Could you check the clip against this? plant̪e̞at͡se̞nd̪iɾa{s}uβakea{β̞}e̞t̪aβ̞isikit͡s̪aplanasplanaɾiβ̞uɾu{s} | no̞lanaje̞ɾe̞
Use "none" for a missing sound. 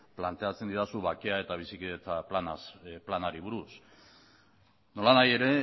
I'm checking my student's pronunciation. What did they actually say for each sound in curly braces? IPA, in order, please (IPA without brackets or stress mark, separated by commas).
s, none, s